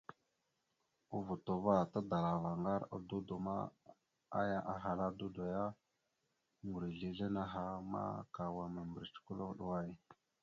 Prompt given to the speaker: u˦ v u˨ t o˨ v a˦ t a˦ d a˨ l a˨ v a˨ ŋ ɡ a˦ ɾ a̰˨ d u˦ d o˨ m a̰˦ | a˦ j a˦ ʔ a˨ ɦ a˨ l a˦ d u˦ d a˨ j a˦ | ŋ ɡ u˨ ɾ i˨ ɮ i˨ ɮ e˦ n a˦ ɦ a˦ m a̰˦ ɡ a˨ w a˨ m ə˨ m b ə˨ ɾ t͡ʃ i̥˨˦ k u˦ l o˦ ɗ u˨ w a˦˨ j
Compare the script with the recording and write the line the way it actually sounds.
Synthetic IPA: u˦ v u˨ t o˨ v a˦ t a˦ d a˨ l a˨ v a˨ ŋ ɡ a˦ ɾ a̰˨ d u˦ d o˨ m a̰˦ | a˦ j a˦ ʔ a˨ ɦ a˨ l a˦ d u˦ d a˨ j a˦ | ŋ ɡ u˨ ɾ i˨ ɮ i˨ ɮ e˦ n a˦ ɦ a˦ m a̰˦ k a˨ w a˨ m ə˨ m b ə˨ ɾ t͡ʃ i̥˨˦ k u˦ l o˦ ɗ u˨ w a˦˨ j

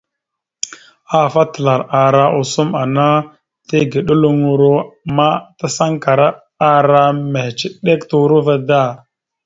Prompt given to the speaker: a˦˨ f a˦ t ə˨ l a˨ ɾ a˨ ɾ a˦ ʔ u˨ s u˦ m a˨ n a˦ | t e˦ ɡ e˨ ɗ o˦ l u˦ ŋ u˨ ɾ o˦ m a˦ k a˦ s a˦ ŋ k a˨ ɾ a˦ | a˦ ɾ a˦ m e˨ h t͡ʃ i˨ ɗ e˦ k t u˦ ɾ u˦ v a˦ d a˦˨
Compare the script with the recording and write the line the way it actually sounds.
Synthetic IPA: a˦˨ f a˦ t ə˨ l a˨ ɾ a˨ ɾ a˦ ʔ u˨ s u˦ m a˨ n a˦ | t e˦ ɡ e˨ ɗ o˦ l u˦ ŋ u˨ ɾ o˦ m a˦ t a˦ s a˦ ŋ k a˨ ɾ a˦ | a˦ ɾ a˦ m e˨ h t͡ʃ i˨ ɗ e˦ k t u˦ ɾ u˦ v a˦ d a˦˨

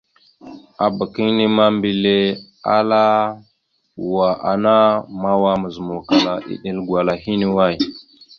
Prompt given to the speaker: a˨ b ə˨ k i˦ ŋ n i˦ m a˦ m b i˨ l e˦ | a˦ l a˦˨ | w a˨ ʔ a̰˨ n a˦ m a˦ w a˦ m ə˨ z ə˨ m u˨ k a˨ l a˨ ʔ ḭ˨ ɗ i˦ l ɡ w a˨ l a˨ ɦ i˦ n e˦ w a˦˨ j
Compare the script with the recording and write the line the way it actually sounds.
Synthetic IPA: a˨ b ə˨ k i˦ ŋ n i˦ m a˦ m b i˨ l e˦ | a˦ l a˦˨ | w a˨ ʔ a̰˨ n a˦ m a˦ w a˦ m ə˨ z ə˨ m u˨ k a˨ l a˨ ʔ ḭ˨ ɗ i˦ l ɡ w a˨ l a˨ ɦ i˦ n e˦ w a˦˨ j

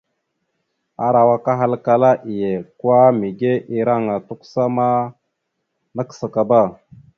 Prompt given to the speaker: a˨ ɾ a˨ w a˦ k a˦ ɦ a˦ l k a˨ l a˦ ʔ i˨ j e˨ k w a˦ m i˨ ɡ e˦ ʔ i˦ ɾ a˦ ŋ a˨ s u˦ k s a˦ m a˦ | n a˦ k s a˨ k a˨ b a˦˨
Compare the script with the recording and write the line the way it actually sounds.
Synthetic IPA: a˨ ɾ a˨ w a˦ k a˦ ɦ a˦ l k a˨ l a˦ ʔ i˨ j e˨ k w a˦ m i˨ ɡ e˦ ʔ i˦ ɾ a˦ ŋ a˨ t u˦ k s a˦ m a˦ | n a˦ k s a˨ k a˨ b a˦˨

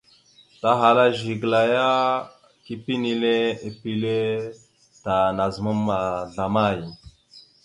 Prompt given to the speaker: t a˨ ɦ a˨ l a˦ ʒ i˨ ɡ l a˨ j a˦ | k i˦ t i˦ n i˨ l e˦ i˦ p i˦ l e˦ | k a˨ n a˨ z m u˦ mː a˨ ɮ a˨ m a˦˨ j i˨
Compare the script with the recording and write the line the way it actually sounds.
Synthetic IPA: t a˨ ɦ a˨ l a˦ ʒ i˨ ɡ l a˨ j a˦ | k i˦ p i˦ n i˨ l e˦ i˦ p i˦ l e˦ | t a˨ n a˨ z m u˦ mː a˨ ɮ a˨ m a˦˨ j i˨

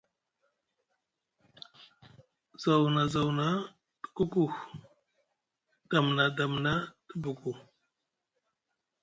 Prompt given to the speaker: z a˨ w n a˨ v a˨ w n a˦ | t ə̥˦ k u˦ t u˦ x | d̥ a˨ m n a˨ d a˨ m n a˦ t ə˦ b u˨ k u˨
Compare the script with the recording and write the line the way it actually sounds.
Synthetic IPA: z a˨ w n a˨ z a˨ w n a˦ | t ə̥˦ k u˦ k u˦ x | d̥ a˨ m n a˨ d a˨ m n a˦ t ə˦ b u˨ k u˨

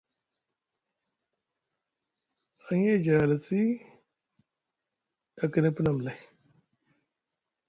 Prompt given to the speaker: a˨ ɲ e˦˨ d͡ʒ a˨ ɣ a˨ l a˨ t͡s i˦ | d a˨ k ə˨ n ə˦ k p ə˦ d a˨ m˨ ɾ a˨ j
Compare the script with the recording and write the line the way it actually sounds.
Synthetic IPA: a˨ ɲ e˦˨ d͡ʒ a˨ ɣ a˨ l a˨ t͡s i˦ | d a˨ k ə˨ n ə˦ p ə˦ n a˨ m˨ l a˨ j

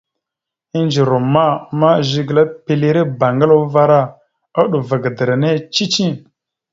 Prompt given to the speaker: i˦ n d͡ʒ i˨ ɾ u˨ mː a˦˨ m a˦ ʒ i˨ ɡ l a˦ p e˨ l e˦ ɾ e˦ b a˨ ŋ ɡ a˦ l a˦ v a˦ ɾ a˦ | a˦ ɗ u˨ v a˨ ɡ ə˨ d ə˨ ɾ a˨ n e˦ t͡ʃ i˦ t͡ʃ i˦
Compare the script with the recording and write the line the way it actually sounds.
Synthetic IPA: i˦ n d͡ʒ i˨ ɾ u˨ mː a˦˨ m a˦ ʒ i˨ ɡ l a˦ p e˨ l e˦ ɾ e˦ b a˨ ŋ ɡ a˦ l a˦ v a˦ ɾ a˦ | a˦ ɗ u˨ v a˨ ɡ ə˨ d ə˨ ɾ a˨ n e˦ t͡ʃ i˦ t͡ʃ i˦

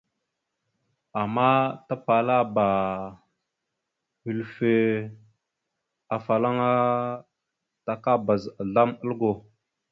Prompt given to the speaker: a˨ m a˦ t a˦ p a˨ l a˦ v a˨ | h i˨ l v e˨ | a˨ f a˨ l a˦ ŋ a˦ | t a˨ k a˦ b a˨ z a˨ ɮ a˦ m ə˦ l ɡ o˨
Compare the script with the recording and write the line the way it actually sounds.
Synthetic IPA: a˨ m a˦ t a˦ p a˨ l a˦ b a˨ | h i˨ l f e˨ | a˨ f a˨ l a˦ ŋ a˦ | t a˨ k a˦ b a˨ z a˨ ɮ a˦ m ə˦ l ɡ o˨

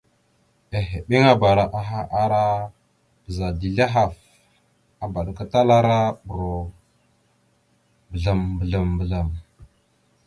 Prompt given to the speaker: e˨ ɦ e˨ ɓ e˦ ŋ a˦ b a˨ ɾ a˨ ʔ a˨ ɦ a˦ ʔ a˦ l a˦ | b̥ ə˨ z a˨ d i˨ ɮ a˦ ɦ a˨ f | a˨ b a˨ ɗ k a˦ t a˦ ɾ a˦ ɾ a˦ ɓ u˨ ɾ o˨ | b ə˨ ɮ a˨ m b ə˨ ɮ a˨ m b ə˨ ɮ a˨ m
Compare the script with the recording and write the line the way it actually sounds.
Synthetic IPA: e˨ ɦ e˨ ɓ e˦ ŋ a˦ b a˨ ɾ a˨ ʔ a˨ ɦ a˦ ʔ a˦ ɾ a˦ | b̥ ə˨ z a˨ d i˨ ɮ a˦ ɦ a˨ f | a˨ b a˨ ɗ k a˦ t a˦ l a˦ ɾ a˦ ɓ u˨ ɾ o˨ | b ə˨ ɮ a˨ m b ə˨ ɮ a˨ m b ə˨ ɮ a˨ m

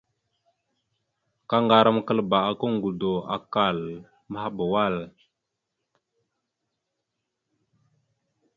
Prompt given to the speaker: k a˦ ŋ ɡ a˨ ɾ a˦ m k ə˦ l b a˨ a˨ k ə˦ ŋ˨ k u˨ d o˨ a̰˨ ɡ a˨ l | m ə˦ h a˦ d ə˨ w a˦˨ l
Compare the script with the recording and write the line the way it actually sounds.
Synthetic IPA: k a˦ ŋ ɡ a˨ ɾ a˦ m k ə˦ l b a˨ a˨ k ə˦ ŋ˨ ɡ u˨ d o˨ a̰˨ k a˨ l | m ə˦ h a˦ b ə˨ w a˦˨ l

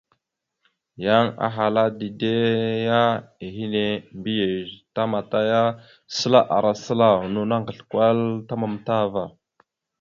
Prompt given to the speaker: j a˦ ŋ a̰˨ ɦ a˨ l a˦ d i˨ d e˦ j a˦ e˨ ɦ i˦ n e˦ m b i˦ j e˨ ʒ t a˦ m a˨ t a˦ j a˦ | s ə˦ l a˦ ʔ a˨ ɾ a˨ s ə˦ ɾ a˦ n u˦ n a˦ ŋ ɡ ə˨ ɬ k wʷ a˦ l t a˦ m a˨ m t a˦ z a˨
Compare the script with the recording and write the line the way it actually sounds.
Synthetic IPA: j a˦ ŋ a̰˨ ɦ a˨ l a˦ d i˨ d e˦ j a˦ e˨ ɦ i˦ n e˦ m b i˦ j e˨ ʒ t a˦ m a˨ t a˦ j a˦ | s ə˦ l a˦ ʔ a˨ ɾ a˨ s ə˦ l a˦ n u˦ n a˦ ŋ ɡ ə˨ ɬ k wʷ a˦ l t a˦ m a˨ m t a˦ v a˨

